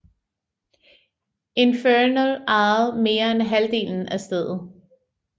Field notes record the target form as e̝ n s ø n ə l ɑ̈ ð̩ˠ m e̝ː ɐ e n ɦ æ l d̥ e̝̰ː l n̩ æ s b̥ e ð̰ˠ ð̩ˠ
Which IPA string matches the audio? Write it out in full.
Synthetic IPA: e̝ n f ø n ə l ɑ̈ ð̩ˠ m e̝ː ɐ e n ɦ æ l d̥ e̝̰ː l n̩ æ s d̥ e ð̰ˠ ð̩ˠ